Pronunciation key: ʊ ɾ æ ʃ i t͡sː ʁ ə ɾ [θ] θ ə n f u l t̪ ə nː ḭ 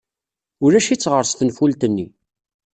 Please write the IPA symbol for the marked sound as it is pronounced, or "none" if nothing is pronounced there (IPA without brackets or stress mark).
s